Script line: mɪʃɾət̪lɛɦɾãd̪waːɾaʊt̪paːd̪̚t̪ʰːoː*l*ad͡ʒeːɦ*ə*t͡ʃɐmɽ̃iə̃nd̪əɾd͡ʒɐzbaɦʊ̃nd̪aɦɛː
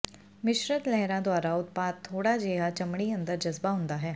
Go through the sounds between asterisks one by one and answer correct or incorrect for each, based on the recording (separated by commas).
incorrect, incorrect